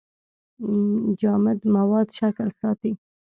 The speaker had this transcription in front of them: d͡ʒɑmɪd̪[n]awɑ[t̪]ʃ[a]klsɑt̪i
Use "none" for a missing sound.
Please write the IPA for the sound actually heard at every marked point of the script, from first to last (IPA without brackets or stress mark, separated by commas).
m, d̪, a